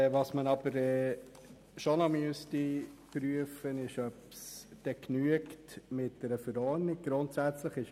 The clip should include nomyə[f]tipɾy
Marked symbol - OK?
no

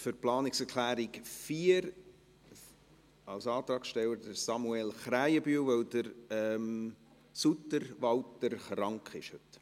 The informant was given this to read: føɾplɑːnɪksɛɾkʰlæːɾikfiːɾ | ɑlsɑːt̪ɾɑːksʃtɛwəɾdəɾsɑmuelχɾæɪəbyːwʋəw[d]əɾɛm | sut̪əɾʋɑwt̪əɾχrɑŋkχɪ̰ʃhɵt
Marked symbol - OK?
yes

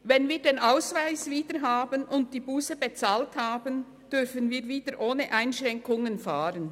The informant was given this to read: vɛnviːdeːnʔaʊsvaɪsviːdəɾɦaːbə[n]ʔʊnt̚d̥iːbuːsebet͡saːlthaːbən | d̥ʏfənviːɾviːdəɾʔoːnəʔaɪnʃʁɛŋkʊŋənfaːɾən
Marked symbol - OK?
yes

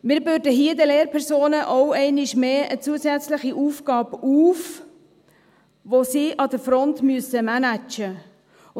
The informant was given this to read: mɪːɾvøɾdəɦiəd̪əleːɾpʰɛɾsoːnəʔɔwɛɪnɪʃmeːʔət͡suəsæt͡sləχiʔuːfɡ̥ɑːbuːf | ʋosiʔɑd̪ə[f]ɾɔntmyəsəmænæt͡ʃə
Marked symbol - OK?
yes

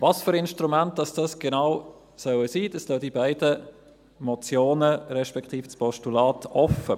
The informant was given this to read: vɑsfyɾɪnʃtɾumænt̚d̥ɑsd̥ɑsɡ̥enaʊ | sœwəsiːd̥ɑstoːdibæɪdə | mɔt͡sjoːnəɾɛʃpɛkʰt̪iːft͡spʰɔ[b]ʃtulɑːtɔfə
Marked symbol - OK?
no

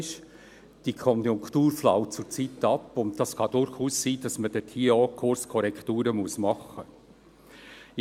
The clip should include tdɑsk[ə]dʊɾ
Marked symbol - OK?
no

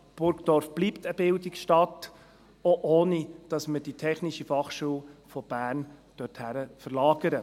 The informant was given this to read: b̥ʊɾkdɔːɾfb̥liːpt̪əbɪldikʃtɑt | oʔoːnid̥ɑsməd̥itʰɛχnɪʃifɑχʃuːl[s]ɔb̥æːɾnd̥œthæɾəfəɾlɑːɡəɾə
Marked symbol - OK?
no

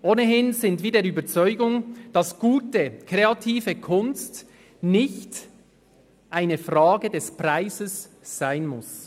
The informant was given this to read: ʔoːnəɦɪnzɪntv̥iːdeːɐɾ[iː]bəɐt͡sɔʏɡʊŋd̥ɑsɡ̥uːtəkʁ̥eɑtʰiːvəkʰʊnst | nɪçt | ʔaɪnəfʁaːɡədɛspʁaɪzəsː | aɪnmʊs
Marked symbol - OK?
no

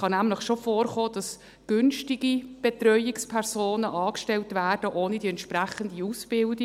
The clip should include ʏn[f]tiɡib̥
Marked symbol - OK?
no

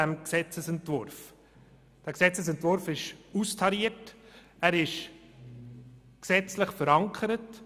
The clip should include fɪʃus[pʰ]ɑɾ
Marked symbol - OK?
no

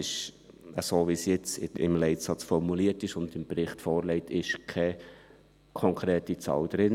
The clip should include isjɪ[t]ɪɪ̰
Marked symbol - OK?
no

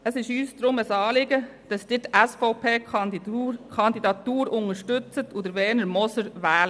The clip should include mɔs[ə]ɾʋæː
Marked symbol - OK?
yes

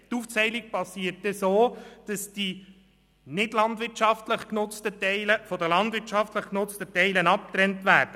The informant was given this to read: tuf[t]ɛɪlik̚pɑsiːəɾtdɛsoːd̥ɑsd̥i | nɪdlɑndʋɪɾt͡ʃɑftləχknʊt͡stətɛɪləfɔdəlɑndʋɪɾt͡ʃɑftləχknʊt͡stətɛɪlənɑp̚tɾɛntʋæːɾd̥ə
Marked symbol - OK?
no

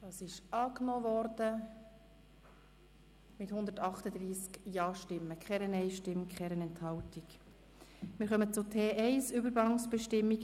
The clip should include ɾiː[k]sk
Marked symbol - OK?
no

